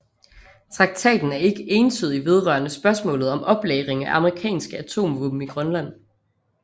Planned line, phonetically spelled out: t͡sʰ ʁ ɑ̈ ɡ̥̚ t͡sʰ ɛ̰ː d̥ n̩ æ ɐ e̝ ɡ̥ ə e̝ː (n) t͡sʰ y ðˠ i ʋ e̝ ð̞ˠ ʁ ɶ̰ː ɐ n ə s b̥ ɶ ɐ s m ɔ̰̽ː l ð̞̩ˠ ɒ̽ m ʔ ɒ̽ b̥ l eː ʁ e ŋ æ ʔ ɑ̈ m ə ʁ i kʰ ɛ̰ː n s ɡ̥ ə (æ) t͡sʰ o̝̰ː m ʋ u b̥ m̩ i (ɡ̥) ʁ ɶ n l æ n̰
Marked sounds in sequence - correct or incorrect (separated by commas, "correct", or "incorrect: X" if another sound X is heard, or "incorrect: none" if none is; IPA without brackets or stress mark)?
correct, correct, correct